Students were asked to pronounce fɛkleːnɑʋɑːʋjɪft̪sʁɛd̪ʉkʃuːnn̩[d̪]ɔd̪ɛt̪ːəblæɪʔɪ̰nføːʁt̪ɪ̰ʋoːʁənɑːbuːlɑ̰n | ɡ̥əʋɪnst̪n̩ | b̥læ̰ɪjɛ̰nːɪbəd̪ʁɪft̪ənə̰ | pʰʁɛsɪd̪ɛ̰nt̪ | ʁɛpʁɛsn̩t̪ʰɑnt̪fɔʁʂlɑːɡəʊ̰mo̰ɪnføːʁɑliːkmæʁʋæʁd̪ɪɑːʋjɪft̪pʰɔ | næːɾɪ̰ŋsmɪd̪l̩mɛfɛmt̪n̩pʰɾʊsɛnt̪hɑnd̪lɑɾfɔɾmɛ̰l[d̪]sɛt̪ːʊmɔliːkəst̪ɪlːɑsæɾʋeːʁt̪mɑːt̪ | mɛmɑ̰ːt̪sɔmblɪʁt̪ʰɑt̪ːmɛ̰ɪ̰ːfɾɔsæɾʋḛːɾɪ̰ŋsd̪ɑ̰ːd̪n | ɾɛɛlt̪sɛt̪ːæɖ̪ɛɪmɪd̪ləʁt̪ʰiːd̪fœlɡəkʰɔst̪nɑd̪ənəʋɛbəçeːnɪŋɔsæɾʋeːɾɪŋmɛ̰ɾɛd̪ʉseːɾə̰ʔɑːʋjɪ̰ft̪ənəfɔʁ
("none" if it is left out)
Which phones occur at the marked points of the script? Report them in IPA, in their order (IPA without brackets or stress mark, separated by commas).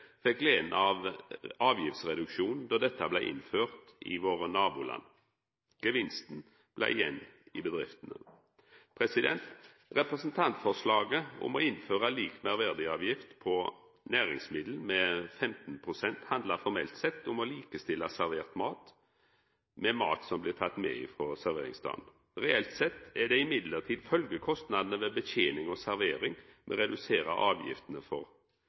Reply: d̪, t̪